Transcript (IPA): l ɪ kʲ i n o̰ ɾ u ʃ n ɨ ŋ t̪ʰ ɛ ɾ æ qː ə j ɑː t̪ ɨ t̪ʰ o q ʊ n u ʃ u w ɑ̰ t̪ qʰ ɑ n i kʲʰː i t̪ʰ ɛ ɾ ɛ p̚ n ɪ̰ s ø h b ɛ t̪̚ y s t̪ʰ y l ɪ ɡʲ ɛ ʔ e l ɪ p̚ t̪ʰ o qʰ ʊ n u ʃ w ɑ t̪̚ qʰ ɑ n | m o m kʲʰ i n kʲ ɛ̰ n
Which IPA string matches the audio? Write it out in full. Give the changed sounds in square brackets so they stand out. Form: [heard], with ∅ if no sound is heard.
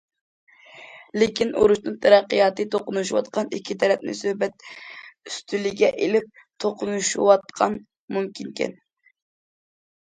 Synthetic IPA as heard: l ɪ kʲ i n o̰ ɾ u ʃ n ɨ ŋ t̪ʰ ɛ ɾ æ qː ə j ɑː t̪ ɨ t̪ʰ o q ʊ n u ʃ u w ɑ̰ t̪ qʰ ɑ n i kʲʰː i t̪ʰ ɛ ɾ ɛ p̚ n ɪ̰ s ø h b ɛ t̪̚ y s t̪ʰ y l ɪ ɡʲ ɛ ʔ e l ɪ p̚ t̪ʰ o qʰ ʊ n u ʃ w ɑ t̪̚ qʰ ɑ n | m [u] m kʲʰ i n kʲ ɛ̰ n